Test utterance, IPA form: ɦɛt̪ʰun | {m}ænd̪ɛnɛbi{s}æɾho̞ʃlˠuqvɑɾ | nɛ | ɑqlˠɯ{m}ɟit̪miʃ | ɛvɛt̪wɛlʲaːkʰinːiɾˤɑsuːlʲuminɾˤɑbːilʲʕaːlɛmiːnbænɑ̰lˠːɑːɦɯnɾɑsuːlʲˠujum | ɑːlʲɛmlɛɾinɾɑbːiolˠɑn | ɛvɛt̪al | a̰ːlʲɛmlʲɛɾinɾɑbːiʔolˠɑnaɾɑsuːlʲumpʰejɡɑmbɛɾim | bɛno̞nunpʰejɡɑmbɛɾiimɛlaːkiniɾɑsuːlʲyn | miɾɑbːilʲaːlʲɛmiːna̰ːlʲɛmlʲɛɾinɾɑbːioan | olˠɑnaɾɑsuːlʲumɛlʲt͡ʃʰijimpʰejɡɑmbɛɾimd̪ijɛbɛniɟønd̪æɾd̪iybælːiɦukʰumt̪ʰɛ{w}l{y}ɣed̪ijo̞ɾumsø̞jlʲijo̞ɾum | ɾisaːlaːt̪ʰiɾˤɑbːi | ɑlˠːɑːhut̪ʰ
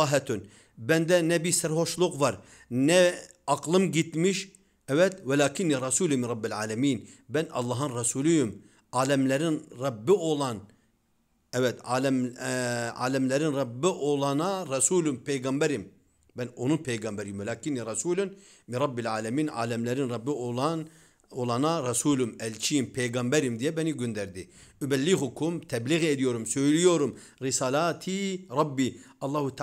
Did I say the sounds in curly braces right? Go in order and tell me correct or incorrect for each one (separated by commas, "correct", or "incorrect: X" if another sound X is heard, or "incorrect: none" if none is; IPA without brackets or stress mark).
incorrect: b, correct, correct, incorrect: b, incorrect: i